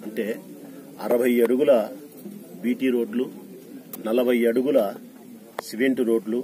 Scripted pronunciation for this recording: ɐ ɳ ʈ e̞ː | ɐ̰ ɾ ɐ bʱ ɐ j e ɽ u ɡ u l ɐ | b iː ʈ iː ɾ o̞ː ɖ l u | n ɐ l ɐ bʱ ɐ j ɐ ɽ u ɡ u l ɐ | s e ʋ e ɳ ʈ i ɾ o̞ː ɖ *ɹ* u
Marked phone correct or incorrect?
incorrect: l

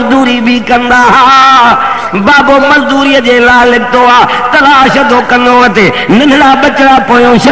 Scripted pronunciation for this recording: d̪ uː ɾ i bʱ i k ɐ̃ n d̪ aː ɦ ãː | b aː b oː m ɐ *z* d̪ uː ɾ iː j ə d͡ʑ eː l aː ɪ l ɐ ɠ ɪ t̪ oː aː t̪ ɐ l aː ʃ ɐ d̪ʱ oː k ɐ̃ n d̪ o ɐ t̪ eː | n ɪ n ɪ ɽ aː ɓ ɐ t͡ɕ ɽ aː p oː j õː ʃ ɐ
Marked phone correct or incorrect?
correct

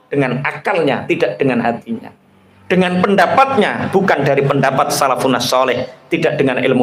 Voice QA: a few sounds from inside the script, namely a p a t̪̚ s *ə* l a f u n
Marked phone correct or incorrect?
incorrect: a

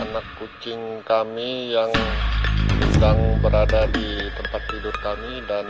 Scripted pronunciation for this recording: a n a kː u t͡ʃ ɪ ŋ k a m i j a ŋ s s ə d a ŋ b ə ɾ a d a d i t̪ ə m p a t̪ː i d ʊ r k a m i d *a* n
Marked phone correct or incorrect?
correct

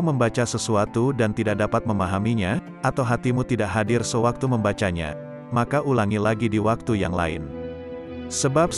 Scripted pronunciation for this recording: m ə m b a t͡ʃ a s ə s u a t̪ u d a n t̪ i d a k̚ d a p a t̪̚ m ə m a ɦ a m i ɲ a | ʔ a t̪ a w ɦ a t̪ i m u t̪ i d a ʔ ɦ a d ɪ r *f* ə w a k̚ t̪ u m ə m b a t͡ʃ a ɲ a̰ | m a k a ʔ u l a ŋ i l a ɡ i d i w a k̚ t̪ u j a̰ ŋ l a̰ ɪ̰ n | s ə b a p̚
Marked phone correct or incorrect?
incorrect: s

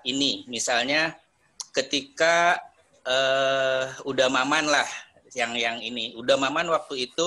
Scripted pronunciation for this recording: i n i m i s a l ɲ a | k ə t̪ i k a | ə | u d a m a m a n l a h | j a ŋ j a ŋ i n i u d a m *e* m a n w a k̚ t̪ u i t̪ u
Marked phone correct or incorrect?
incorrect: a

